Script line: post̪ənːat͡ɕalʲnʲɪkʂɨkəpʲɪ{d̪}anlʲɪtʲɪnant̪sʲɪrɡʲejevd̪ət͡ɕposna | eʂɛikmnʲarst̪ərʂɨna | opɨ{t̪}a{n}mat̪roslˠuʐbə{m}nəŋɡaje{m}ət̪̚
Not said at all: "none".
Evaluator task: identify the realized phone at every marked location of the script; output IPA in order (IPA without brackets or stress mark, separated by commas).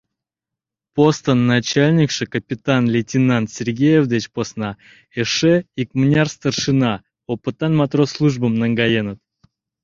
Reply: t̪, t̪, n, m, n